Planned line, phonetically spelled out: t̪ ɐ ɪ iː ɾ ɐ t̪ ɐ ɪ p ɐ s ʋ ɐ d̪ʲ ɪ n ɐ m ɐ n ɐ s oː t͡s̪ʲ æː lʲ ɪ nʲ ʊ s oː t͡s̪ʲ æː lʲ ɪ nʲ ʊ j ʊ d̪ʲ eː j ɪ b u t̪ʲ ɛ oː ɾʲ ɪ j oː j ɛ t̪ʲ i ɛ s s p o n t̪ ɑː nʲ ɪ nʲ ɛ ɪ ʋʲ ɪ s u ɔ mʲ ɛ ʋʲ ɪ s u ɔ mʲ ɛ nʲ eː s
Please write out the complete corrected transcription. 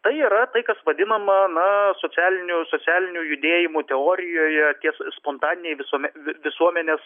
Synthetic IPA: t̪ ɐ ɪ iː ɾ ɐ t̪ ɐ ɪ k ɐ s ʋ ɐ d̪ʲ ɪ n ɐ m ɐ n ɐ s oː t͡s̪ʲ æː lʲ ɪ nʲ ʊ s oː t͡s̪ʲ æː lʲ ɪ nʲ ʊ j ʊ d̪ʲ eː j ɪ m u t̪ʲ ɛ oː ɾʲ ɪ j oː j ɛ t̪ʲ i ɛ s s p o n t̪ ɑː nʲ ɪ nʲ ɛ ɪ ʋʲ ɪ s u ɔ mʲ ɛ ʋʲ ɪ s u ɔ mʲ ɛ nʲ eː s